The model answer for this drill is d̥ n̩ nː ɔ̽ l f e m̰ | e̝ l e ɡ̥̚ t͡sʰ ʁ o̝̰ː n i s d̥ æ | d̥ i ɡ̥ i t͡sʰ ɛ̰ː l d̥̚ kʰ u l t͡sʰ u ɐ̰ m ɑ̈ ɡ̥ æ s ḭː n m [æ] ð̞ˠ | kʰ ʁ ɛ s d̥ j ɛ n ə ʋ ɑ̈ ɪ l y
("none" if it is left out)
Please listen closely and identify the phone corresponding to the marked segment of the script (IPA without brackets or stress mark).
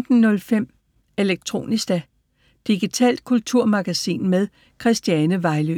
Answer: e